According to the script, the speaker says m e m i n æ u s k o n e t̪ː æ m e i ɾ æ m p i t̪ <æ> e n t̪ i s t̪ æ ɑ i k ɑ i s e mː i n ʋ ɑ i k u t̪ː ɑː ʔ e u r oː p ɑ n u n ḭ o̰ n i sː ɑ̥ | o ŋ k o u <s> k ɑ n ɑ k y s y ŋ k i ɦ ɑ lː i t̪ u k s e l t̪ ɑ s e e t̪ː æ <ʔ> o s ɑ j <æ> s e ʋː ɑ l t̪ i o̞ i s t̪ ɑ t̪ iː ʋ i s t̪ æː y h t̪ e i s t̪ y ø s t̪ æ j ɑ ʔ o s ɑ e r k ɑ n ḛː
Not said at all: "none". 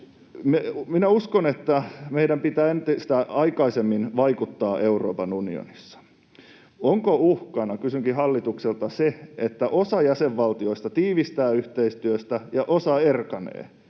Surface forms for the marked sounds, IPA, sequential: æː, h, ʔ, æ

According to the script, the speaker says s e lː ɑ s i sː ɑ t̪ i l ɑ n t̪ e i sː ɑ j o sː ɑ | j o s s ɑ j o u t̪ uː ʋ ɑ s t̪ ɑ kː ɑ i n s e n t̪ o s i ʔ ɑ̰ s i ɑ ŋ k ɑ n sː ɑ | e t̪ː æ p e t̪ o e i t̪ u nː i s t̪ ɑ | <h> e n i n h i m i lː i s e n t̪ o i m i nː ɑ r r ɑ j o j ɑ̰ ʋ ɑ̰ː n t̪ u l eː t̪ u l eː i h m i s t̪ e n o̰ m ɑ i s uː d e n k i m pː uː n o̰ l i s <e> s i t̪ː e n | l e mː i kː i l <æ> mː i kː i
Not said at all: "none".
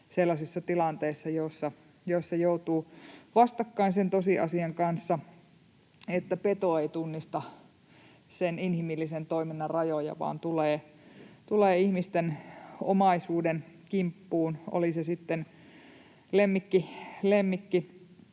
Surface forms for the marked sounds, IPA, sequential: s, e, e

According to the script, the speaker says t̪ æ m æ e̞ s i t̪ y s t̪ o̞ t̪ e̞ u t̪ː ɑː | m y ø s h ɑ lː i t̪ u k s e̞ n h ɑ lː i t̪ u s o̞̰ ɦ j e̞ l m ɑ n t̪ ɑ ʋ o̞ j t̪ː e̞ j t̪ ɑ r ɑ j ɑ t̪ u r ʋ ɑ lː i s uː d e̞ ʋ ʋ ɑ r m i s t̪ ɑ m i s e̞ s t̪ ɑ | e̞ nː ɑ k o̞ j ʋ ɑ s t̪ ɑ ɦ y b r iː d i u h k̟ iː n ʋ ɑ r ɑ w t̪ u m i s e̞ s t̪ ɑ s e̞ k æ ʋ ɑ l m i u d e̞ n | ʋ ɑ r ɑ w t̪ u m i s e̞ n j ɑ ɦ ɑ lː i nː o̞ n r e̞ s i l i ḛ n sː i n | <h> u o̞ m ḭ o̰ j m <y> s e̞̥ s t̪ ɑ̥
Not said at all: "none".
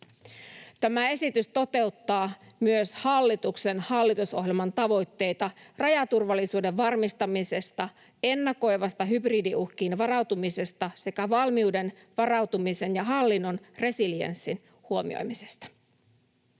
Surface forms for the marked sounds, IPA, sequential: h, i

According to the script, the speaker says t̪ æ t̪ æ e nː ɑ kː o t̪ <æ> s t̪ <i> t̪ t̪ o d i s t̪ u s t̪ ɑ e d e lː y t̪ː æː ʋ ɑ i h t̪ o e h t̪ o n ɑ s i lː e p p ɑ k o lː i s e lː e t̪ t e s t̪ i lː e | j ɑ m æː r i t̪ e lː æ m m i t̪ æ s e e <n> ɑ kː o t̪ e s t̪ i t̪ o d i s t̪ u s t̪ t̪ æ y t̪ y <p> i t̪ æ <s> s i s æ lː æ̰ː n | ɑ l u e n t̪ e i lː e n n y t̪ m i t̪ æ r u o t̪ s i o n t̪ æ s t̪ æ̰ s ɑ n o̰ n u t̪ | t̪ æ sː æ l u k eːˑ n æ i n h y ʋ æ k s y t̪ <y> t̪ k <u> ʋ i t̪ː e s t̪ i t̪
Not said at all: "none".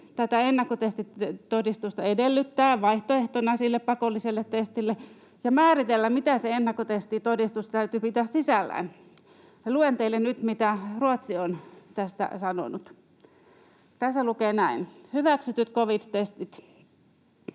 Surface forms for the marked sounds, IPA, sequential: e, i, nː, p, s, y, o

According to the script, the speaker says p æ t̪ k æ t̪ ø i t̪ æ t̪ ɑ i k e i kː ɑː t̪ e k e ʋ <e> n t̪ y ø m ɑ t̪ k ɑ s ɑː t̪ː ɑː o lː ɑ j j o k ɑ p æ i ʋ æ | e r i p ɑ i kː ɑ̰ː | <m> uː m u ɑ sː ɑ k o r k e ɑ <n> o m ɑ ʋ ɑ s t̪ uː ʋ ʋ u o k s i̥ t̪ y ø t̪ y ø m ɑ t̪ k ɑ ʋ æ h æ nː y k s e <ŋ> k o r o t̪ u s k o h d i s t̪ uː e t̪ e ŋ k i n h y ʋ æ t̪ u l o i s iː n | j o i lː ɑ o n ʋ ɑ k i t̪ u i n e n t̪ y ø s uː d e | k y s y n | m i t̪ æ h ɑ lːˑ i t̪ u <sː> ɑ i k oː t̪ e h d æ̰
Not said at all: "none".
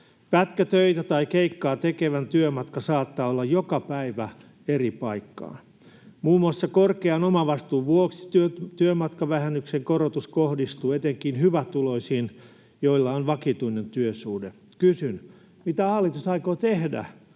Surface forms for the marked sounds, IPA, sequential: æ, m, n, ŋ, s

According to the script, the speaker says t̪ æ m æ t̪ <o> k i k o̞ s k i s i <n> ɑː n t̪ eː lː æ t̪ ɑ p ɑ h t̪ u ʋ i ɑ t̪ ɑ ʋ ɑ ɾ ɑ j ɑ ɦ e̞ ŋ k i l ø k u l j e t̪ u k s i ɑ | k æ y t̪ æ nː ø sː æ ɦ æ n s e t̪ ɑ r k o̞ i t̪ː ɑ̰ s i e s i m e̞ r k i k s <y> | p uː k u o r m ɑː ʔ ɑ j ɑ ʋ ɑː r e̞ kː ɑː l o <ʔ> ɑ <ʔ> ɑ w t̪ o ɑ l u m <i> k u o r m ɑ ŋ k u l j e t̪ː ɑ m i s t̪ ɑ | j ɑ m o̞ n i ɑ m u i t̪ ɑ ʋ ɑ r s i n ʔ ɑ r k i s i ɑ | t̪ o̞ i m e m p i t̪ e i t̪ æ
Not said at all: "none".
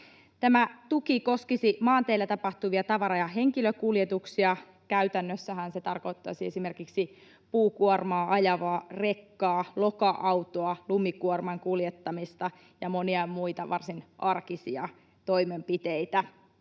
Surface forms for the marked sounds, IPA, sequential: u, m, i, k, ʔ, i

